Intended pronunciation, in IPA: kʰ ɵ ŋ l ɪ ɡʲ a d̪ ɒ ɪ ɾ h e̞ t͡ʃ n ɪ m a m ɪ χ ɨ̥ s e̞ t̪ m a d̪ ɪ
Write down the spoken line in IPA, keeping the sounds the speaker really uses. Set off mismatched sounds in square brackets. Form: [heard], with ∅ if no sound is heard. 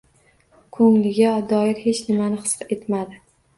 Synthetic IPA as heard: kʰ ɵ ŋ l ɪ ɡʲ a d̪ ɒ ɪ ɾ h e̞ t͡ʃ n ɪ m a [n] ɪ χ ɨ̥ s e̞ t̪ m a d̪ ɪ